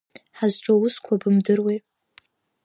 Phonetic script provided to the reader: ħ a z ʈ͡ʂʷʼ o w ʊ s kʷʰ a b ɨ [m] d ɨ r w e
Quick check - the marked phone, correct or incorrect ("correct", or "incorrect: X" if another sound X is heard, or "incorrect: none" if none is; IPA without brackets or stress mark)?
correct